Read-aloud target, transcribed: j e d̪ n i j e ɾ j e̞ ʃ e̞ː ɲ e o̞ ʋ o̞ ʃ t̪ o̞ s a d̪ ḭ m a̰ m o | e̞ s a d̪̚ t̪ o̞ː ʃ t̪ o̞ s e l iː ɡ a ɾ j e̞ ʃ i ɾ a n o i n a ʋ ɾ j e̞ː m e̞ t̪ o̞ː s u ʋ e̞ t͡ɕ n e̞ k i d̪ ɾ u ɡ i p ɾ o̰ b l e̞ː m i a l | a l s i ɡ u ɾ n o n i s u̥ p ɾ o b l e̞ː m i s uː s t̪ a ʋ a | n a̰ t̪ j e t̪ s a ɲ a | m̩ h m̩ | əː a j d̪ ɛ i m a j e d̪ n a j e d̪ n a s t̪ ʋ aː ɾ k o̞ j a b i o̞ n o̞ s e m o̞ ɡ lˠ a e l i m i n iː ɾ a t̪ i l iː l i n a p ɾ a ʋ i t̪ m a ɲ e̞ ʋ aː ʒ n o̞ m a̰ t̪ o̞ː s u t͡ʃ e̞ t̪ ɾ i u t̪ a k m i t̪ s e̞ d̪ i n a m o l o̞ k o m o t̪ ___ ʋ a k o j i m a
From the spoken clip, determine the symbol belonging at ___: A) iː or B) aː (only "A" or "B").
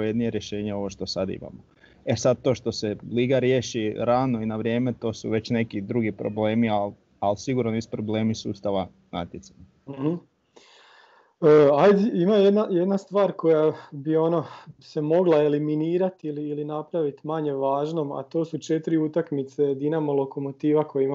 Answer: A